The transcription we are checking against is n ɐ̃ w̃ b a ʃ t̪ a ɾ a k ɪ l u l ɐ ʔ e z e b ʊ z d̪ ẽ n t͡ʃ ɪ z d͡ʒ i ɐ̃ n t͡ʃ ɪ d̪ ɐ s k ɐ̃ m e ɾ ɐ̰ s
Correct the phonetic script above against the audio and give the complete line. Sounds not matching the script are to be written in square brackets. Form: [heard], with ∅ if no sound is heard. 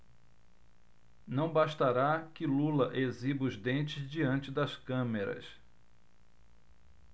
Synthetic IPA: n ɐ̃ w̃ b a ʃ t̪ a ɾ a k ɪ l u l ɐ ʔ e z [i] b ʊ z d̪ ẽ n t͡ʃ ɪ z d͡ʒ i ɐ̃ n t͡ʃ ɪ d̪ ɐ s k ɐ̃ m e ɾ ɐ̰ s